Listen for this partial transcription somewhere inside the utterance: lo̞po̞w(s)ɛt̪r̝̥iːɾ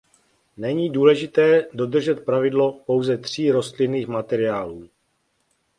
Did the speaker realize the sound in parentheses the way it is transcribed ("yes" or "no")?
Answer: no